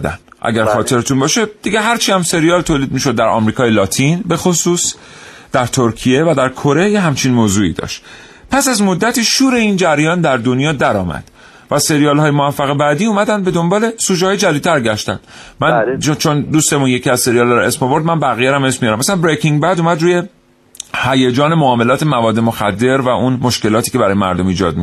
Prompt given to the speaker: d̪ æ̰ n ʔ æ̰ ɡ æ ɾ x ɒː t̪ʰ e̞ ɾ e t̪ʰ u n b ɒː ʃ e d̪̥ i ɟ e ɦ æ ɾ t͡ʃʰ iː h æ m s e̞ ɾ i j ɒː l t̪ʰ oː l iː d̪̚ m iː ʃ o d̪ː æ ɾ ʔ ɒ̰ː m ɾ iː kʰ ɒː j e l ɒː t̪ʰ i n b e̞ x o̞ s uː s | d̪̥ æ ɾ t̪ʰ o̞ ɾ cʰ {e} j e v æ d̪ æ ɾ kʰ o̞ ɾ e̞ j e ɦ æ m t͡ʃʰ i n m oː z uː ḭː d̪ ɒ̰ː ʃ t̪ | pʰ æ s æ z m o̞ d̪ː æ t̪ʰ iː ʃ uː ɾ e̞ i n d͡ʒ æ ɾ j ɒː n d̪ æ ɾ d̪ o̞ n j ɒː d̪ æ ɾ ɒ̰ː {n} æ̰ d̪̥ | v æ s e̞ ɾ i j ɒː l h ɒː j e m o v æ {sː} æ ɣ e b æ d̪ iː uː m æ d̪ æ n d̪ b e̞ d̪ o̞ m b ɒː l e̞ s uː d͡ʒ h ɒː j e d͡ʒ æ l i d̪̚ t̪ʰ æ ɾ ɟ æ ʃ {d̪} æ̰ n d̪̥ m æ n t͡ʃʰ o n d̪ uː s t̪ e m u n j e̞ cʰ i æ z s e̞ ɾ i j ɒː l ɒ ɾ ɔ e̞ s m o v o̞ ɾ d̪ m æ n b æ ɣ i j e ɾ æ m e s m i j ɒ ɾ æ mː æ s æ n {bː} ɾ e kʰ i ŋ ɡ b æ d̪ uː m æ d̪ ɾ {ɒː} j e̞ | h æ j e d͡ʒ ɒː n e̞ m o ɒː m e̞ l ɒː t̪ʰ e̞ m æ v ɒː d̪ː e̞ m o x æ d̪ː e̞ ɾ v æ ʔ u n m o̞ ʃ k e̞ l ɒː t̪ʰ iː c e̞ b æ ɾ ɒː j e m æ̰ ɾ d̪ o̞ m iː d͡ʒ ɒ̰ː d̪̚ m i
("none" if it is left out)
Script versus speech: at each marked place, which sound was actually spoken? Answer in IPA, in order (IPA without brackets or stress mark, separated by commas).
i, m, fː, t̪, b, uː